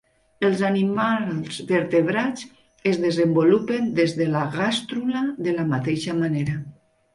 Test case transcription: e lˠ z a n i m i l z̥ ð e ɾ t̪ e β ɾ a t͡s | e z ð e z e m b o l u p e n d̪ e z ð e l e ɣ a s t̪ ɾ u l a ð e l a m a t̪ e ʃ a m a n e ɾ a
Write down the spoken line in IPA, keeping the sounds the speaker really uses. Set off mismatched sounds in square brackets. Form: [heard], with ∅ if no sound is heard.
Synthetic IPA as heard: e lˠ z a n i m [a] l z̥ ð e ɾ t̪ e β ɾ a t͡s | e z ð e z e m b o l u p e n d̪ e z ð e l [a] ɣ a s t̪ ɾ u l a ð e l a m a t̪ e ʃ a m a n e ɾ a